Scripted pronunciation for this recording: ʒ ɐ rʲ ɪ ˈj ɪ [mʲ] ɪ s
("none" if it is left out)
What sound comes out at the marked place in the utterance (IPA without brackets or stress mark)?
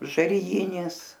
nʲ